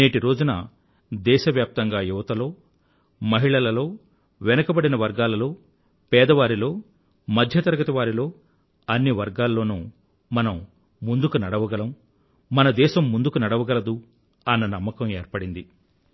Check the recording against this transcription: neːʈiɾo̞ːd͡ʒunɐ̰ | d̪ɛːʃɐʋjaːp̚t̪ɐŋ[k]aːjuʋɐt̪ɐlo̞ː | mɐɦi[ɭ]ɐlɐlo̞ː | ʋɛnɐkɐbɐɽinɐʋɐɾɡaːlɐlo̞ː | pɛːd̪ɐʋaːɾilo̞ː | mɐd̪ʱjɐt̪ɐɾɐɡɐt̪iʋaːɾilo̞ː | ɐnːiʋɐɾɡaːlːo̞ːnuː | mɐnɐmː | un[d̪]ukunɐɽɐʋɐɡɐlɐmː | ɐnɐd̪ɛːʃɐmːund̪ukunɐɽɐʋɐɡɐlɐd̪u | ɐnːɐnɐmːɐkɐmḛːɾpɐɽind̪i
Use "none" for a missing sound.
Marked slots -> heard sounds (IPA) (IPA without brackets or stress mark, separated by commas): ɡ, ɭ, d̪